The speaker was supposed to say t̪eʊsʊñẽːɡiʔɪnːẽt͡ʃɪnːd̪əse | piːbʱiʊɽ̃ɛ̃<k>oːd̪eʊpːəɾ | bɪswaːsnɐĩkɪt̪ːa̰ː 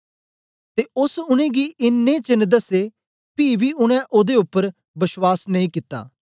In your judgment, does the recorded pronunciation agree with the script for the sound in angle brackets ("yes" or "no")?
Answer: no